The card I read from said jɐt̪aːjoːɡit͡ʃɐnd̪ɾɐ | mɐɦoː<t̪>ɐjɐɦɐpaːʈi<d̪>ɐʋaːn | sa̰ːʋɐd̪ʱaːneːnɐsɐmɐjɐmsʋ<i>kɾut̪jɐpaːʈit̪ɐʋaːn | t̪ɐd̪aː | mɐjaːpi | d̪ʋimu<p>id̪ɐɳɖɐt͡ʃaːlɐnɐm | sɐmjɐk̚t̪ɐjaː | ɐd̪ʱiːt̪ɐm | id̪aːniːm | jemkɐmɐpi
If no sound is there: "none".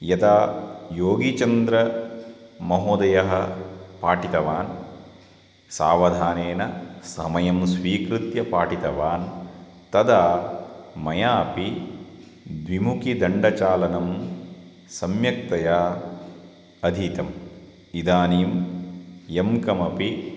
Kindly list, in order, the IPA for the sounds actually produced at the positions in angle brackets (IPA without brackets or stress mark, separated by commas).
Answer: d̪, t̪, iː, k